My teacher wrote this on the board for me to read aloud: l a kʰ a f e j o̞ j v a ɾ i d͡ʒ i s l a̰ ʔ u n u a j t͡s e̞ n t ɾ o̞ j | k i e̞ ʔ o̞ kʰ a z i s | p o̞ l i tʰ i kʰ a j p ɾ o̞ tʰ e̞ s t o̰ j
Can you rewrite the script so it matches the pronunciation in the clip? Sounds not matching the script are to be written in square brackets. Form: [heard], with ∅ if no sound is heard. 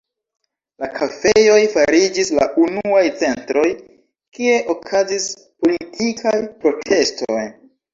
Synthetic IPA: l a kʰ a f e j o̞ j [f] a ɾ i d͡ʒ i s l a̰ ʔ u n u a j t͡s e̞ n t ɾ o̞ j | k i e̞ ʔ o̞ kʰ a z i s | p o̞ l i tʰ i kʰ a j p ɾ o̞ tʰ e̞ s t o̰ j